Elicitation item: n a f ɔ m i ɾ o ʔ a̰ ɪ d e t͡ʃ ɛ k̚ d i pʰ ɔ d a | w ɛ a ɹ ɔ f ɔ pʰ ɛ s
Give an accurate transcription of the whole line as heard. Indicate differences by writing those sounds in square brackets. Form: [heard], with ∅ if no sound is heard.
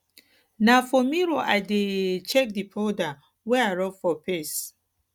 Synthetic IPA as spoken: n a f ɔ m i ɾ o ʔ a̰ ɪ d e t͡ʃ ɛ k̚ d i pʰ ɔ d a | w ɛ a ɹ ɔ f ɔ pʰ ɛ s